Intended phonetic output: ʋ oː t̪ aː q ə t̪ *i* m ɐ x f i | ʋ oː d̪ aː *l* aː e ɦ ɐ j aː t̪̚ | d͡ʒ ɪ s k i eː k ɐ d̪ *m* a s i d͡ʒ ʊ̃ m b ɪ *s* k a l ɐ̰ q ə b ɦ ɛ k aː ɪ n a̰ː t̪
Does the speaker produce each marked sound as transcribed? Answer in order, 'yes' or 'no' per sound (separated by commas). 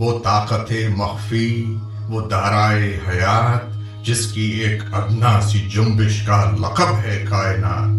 no, no, no, no